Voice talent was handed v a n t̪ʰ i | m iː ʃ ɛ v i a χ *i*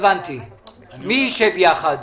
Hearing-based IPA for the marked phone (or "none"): a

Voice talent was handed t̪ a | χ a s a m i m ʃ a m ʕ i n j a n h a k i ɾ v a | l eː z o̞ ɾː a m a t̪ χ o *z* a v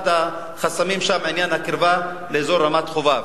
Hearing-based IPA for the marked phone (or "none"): v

